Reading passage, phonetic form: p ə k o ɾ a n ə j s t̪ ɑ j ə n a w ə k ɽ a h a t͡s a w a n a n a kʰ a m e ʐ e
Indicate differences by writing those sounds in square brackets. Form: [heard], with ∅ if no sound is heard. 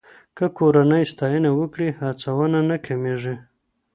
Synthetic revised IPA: [k] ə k o ɾ a n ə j s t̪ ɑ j ə n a w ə k ɽ [i] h a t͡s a w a n a n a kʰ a m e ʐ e